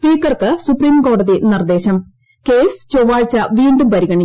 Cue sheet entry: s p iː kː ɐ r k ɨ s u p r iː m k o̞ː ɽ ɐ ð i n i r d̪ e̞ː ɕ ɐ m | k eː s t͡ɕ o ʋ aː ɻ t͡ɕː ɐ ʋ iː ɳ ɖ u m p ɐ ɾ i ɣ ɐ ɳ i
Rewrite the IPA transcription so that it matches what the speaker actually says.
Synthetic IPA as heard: s p iː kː ɐ r k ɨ s u p r iː m k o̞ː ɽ ɐ ð i n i r d̪ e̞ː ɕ ɐ m | k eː s t͡ɕ o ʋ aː ɻ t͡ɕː ɐ ʋ iː ɳ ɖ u m p ɐ ɾ i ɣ ɐ ɳ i